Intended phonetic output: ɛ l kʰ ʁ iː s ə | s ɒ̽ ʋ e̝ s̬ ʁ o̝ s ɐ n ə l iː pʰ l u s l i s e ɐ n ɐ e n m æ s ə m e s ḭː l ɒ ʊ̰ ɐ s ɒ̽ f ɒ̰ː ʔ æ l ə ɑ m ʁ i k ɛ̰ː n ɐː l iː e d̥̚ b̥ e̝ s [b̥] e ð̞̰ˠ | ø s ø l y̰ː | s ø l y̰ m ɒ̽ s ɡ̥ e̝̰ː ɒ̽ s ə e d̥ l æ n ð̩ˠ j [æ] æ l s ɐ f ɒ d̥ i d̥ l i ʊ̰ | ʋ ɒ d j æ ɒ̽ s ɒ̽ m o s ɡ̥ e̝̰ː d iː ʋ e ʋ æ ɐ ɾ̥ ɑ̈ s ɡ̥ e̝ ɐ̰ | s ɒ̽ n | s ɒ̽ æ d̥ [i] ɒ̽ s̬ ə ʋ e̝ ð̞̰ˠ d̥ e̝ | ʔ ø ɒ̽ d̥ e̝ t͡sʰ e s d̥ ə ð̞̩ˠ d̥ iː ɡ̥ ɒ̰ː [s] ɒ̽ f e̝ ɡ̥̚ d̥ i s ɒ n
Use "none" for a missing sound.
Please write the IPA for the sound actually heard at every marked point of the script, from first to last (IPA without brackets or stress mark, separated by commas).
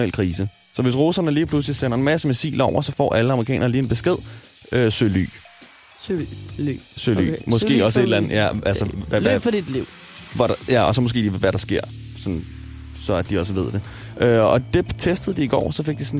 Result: ɡ̥, æ, i, s